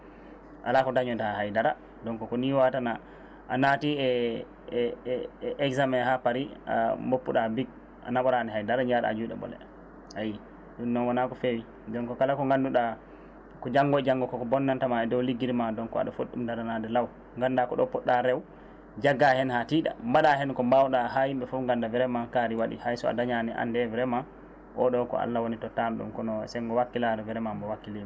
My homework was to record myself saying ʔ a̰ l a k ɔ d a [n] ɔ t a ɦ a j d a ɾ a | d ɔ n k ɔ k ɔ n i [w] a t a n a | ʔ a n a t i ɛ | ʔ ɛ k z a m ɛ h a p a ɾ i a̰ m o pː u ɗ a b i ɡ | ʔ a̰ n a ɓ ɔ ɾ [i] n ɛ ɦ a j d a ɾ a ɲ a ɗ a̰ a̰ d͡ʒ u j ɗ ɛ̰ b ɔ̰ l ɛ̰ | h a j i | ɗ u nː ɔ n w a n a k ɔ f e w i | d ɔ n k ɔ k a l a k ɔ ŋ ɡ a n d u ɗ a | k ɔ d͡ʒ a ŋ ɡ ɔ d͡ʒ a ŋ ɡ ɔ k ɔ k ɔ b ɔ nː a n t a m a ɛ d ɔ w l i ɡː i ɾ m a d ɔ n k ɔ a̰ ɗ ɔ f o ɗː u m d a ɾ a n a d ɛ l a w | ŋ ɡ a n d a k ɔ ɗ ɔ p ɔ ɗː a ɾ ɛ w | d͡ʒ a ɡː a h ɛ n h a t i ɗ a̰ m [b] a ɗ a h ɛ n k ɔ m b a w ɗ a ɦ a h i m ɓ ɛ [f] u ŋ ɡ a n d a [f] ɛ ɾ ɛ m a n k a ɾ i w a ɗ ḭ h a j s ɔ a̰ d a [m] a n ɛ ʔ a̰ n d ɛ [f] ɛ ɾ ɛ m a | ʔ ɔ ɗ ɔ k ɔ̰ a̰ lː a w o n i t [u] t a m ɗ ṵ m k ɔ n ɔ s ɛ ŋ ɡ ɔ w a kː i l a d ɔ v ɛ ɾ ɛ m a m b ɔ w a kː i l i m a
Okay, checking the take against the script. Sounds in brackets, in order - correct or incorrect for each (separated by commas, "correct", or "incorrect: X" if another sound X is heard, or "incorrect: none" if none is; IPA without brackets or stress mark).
incorrect: ɲ, correct, incorrect: a, correct, correct, incorrect: v, incorrect: ɲ, incorrect: v, incorrect: ɔ